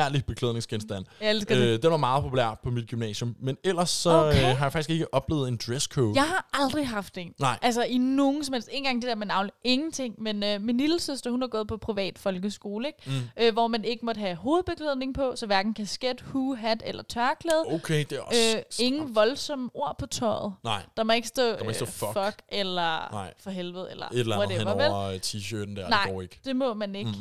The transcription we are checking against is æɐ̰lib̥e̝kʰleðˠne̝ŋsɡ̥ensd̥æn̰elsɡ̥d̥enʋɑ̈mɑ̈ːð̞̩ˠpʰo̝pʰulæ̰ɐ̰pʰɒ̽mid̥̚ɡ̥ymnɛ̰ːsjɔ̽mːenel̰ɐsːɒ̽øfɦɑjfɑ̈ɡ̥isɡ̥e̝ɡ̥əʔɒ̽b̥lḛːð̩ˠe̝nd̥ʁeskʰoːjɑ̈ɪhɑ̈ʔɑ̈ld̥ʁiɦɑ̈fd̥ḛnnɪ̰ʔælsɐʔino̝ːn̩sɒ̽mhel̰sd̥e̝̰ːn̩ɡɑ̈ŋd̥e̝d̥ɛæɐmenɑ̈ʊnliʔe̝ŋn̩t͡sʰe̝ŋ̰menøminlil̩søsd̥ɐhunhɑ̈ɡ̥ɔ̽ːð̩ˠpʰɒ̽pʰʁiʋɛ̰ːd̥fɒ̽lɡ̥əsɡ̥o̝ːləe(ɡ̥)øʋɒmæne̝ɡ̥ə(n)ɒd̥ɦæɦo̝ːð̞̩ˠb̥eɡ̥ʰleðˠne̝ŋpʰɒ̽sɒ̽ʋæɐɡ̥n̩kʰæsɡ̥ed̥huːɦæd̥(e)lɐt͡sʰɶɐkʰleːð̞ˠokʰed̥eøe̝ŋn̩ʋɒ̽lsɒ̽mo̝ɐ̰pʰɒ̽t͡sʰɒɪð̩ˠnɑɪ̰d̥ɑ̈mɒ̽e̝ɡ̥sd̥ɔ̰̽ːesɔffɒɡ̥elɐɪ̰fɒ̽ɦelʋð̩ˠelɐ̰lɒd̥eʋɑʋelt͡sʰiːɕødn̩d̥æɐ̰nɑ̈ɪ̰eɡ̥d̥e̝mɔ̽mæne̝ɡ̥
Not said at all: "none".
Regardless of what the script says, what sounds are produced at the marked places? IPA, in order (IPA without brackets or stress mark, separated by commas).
ɡ̥, m, e